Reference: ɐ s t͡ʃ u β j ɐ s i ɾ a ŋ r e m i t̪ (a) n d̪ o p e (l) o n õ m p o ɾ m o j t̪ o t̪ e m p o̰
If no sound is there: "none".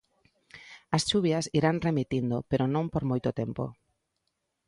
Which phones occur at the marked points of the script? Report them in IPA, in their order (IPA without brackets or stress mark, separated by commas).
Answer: i, ɾ